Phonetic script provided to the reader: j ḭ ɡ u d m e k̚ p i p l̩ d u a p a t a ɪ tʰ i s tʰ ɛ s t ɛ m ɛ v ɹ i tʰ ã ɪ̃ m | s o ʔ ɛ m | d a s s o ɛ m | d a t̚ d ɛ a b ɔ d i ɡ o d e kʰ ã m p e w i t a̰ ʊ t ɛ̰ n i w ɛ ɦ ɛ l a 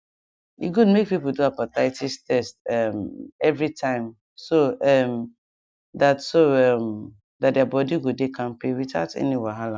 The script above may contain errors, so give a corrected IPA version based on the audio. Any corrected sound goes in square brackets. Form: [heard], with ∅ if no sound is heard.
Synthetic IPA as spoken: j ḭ ɡ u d m e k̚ p i p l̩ d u a p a t a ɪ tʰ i s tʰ ɛ s t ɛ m ɛ v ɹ i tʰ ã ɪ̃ m | s o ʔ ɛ m | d a [t] s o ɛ m | d a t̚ d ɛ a b ɔ d i ɡ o d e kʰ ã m p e w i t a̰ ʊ t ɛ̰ n i w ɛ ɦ [a] l a